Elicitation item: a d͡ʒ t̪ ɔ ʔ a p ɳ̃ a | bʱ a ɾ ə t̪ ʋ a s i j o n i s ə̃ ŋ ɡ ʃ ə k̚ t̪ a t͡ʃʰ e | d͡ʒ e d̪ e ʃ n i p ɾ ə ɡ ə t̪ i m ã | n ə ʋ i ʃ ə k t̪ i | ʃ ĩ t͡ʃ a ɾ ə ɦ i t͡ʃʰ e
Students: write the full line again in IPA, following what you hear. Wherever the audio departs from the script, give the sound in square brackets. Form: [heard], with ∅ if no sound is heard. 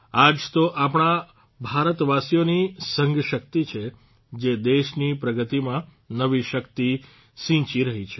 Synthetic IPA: a d͡ʒ t̪ [o] ʔ a p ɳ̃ a | bʱ a ɾ ə t̪ ʋ a s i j o n i s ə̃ ŋ ɡ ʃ ə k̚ t̪ [i] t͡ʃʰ e | d͡ʒ e d̪ e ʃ n i p ɾ ə ɡ ə t̪ i m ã | n ə ʋ i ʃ ə k t̪ i | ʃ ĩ t͡ʃ [i] ɾ ə ɦ i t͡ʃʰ e